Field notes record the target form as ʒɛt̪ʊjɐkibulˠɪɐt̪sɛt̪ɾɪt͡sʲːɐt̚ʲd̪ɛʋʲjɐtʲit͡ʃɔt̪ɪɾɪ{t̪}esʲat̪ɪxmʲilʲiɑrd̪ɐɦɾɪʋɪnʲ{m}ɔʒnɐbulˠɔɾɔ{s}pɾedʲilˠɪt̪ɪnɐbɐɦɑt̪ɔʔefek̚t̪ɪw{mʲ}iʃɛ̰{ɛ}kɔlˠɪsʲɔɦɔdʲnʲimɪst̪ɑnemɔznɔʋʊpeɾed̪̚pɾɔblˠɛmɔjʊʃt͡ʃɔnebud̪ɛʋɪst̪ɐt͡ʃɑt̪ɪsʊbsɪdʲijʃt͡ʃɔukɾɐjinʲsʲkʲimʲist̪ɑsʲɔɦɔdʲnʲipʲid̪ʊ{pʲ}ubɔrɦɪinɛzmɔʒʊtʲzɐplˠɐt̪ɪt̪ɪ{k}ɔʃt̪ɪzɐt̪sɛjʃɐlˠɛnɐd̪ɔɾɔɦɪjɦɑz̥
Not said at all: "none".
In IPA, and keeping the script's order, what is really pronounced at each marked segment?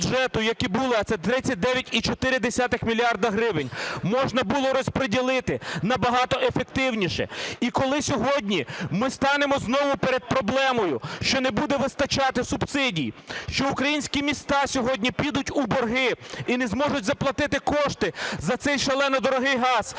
d̪, m, s, nʲ, i, tʲ, k

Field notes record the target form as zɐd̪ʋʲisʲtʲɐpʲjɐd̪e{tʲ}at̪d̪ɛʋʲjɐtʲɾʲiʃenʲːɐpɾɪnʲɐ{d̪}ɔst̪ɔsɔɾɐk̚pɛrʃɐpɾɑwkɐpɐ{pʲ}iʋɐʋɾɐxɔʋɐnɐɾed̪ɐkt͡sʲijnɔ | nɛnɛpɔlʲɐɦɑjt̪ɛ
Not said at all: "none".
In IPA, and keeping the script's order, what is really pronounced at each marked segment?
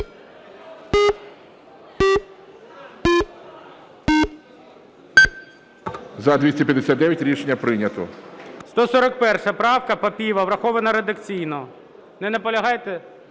sʲ, t̪, pʲ

